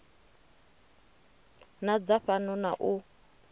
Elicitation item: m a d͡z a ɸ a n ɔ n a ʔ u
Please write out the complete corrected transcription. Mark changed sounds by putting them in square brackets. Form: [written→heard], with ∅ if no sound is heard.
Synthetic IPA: [m→n] a d͡z a ɸ a n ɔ n a ʔ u